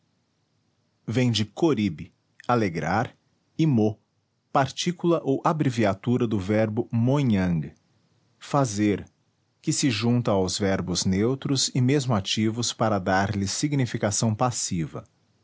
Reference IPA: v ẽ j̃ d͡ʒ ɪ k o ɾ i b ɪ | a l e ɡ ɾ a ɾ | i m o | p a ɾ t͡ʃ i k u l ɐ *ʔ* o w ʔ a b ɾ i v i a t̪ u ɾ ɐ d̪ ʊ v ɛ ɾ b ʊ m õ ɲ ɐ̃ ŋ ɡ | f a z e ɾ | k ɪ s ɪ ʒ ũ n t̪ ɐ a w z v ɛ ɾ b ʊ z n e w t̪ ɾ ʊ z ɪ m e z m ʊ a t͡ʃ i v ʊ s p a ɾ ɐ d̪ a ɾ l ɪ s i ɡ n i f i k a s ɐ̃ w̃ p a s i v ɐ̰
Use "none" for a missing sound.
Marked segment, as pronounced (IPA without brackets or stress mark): ʔ